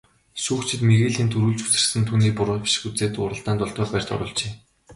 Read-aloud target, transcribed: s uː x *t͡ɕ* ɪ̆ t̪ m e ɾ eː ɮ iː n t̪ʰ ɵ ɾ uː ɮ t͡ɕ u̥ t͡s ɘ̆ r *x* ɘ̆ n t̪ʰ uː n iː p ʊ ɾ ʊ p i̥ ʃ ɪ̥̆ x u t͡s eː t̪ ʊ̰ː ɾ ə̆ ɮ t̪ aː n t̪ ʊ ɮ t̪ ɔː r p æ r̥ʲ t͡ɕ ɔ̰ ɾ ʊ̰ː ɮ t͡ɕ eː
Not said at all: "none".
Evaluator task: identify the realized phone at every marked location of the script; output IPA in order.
t͡ɕʰ, s

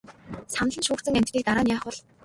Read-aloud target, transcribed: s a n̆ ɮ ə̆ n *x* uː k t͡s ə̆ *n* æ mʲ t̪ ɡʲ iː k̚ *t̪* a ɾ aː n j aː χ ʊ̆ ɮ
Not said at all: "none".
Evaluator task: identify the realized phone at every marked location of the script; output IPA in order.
ʃ, ŋ, t̪

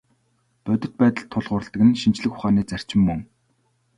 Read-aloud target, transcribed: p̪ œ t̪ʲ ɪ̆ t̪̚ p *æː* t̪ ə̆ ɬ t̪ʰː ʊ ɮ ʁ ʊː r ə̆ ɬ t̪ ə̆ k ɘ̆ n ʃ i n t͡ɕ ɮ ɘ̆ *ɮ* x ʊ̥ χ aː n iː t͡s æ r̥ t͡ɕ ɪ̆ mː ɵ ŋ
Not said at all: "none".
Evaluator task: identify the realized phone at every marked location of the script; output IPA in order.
æː, none

